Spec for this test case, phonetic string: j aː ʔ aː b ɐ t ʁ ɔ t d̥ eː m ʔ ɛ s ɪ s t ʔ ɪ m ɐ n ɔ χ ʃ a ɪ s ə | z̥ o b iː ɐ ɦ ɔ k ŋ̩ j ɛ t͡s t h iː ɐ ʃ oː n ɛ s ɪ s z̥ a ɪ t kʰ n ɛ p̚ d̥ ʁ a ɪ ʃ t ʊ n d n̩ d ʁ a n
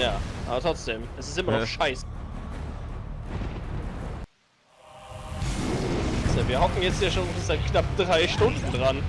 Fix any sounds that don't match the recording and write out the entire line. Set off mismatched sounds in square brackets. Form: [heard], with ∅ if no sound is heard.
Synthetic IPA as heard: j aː ʔ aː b ɐ t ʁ ɔ [t͡s] d̥ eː m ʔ ɛ s ɪ s t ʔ ɪ m ɐ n ɔ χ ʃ a ɪ s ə | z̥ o [v] iː ɐ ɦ ɔ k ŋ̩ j ɛ t͡s t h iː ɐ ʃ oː n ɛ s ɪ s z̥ a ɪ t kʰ n [a] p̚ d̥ ʁ a ɪ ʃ t ʊ n d n̩ d ʁ a n